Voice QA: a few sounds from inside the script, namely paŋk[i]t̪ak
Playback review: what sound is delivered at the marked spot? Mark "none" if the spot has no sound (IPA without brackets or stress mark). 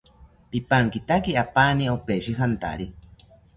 i